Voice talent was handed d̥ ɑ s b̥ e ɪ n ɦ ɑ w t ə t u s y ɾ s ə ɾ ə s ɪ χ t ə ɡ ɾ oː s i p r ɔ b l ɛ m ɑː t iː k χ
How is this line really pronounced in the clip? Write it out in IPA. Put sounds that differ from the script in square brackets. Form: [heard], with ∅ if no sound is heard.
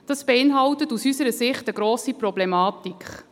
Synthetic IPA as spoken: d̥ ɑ s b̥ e ɪ n ɦ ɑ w t ə t u s y [∅] s ə ɾ ə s ɪ χ t ə ɡ ɾ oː s i p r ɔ b l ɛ m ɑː t [i] k χ